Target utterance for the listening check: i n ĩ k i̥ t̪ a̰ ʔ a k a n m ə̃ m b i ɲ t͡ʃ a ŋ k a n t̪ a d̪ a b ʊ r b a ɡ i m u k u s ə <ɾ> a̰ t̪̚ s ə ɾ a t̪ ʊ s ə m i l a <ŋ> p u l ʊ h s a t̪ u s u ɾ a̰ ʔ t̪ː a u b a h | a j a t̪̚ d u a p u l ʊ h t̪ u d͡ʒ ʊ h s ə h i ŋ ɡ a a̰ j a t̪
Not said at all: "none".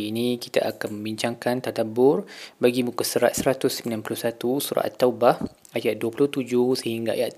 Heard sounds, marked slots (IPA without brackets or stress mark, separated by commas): ɾ, n